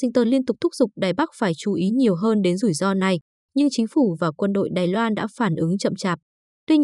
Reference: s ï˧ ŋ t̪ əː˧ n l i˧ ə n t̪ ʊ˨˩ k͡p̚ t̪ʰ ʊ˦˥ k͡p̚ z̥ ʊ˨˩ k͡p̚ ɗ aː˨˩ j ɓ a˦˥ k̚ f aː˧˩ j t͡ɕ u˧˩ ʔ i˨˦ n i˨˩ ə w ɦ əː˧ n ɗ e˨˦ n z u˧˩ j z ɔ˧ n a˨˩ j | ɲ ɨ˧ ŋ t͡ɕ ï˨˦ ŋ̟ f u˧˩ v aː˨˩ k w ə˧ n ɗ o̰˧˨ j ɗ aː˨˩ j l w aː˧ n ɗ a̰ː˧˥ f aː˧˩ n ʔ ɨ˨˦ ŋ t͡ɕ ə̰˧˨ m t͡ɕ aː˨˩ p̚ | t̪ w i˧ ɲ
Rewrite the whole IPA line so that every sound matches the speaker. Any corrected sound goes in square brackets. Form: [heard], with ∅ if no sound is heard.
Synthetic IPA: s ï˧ ŋ t̪ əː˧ n l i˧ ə n t̪ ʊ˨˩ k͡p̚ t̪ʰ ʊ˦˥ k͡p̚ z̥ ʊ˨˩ k͡p̚ ɗ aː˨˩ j ɓ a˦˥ k̚ f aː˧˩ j t͡ɕ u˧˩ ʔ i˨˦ [ɲ] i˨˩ ə w ɦ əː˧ n ɗ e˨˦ n z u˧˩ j z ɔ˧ n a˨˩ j | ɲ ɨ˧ ŋ t͡ɕ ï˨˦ ŋ̟ f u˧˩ v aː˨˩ k w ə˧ n ɗ o̰˧˨ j ɗ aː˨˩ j l w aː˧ n ɗ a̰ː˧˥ f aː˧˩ n ʔ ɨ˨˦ ŋ t͡ɕ ə̰˧˨ m t͡ɕ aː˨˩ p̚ | t̪ w i˧ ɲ